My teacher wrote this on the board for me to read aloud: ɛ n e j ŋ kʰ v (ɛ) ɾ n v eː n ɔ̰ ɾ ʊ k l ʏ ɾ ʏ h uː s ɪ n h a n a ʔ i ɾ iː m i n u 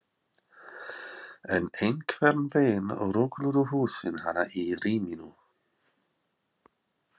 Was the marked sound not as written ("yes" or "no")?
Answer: no